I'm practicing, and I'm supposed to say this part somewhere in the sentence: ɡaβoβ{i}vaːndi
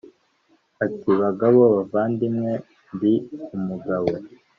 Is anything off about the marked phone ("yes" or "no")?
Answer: yes